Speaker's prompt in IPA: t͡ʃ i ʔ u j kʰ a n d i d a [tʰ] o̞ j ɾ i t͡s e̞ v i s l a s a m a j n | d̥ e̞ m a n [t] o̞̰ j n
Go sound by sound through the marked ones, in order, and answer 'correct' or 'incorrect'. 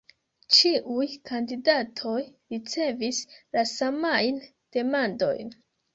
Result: correct, incorrect

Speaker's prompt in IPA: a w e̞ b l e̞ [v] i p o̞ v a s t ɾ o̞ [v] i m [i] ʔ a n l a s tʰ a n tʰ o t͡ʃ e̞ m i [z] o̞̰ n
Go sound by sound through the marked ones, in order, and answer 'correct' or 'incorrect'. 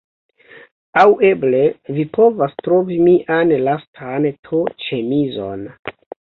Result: correct, correct, correct, correct

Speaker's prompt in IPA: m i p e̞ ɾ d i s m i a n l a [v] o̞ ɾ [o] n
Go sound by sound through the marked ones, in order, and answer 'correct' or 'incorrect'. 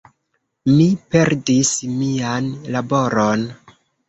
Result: incorrect, correct

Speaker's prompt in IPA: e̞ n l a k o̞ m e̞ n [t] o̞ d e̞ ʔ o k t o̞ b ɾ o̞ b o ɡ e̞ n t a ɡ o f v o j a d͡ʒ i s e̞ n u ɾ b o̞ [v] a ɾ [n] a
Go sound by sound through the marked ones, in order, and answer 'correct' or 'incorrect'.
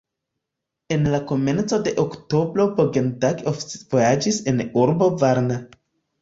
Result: incorrect, correct, correct

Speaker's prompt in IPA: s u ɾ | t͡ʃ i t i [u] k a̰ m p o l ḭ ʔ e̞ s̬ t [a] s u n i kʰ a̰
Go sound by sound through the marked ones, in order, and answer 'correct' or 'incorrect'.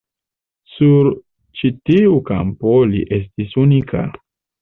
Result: correct, incorrect

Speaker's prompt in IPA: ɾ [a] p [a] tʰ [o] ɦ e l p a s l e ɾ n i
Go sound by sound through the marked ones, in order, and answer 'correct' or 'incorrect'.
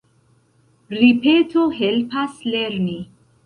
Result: incorrect, incorrect, correct

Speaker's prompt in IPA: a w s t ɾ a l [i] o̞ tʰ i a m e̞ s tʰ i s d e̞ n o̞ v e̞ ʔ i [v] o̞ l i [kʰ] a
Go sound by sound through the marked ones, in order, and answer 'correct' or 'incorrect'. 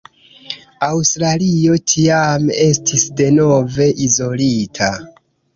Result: correct, incorrect, incorrect

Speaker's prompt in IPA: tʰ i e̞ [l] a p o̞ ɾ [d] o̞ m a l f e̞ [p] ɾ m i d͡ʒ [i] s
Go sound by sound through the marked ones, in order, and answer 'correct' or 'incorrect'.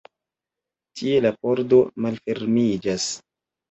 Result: correct, correct, incorrect, incorrect

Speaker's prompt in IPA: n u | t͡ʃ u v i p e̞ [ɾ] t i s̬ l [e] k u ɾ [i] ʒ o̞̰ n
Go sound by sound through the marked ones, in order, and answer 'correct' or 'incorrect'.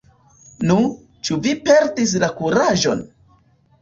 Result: correct, incorrect, incorrect

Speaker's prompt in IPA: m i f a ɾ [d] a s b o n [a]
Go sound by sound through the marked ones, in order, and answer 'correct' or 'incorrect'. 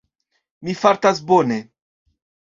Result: incorrect, incorrect

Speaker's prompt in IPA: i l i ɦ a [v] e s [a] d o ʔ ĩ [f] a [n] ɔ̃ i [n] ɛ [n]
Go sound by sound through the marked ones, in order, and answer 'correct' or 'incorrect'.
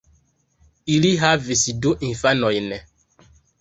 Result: correct, incorrect, correct, correct, correct, incorrect

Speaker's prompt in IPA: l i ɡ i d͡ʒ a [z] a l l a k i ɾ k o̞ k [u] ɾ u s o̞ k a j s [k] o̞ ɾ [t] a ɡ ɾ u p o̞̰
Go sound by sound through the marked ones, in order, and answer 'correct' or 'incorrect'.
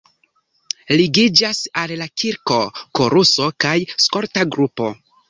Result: incorrect, incorrect, correct, correct

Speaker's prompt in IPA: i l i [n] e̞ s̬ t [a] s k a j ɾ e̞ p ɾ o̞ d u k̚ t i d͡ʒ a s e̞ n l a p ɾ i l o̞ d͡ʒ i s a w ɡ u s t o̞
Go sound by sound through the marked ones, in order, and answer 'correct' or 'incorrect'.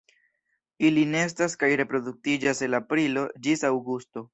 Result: correct, correct

